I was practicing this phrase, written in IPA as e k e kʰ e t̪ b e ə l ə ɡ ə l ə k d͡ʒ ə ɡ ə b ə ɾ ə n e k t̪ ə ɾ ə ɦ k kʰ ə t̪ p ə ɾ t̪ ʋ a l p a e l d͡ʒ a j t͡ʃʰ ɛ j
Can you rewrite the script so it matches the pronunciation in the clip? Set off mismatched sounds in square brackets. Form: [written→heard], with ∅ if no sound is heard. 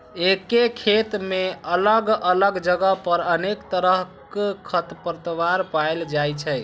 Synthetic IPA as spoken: e k e kʰ e t̪ [b→m] e ə l ə ɡ ə l ə [k→ɡ] d͡ʒ ə ɡ ə [b→p] ə ɾ ə n e k t̪ ə ɾ ə ɦ k kʰ ə t̪ p ə ɾ t̪ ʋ a [l→ɾ] p a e l d͡ʒ a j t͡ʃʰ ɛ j